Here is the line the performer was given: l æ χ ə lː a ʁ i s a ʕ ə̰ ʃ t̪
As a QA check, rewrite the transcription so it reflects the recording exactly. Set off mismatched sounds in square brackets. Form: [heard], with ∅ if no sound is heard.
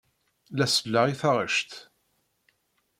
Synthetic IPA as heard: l æ [s] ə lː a ʁ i [θ] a [ʁ] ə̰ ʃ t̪